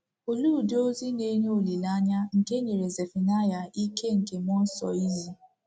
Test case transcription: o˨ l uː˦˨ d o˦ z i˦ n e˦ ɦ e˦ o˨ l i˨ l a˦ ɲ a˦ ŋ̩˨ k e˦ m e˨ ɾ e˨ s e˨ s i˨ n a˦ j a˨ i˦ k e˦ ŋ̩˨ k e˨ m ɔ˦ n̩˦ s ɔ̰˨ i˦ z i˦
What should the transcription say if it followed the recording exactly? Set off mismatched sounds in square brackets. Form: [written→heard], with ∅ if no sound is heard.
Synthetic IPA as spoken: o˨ l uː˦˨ d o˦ z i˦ n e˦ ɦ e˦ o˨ l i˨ l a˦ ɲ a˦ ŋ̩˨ k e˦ [m→ɲ] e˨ ɾ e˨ [s→z] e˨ [s→f] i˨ n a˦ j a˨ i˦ k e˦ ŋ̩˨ k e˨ m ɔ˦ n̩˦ s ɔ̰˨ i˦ z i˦